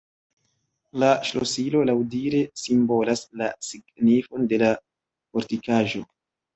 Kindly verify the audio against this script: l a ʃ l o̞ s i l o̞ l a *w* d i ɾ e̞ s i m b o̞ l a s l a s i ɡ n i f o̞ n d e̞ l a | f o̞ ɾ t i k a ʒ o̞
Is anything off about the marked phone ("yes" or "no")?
no